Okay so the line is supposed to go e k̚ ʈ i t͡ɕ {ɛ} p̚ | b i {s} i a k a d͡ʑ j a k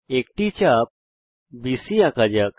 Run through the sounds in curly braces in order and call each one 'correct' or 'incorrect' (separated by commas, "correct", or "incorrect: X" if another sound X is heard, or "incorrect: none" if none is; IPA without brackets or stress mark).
incorrect: a, correct